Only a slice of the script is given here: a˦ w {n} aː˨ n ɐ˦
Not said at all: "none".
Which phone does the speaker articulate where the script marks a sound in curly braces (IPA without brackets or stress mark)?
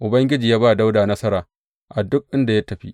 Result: d